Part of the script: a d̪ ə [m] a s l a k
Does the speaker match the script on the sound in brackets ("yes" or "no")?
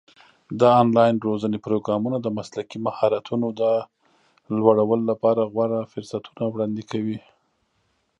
yes